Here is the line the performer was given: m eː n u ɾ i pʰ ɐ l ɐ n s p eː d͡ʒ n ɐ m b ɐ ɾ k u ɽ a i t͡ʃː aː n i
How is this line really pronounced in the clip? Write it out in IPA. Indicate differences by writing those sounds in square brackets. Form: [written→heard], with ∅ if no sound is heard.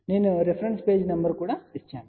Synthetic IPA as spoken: [m→n] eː n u ɾ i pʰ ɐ [l→ɾ] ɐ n s p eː d͡ʒ n ɐ m b ɐ ɾ k [u→uː] ɽ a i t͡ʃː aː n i